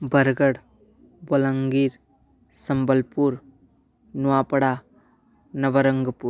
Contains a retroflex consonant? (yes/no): yes